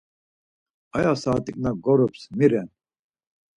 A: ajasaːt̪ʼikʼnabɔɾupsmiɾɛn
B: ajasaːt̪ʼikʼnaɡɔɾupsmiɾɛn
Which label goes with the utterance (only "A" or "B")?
B